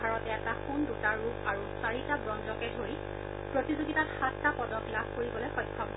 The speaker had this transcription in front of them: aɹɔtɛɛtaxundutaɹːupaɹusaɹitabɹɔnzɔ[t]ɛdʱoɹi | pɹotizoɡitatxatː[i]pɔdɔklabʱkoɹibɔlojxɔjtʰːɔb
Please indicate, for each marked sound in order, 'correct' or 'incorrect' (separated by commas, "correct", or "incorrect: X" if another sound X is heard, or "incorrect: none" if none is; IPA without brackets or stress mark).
incorrect: k, incorrect: a